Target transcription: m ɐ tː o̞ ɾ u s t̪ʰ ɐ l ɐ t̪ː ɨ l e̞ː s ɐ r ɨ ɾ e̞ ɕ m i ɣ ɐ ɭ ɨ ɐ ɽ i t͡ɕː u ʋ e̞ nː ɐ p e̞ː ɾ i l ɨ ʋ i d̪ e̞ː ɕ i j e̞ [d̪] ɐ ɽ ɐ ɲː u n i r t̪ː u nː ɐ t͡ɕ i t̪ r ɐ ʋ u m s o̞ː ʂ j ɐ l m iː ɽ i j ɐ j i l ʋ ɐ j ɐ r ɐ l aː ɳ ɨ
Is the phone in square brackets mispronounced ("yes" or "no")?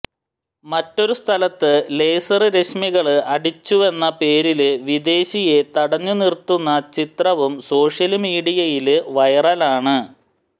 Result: yes